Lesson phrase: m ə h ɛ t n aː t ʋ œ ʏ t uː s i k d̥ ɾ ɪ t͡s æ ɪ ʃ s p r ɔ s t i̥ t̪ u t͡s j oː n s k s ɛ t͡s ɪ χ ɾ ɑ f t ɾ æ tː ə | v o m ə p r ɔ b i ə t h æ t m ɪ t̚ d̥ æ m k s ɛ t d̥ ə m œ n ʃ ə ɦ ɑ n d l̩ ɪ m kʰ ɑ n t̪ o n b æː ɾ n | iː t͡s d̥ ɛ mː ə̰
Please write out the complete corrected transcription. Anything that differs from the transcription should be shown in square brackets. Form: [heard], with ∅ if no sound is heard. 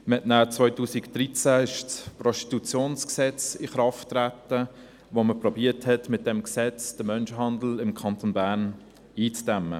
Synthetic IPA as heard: m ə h ɛ t n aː [t͡s] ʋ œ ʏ t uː s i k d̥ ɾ [i] t͡s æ ɪ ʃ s p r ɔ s t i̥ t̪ u t͡s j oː n s k s ɛ t͡s ɪ χ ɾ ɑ f t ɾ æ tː ə | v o m ə p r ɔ b i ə t h [ɛ] t m ɪ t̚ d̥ [ɛ] m k s ɛ [t͡s] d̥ ə m œ n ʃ ə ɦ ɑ n d l̩ ɪ m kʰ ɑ n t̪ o n b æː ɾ n | iː t͡s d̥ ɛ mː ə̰